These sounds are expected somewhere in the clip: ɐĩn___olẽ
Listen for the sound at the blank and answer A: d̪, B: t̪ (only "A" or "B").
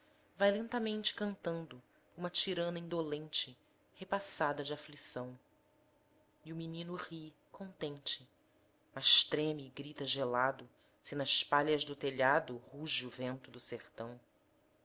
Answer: A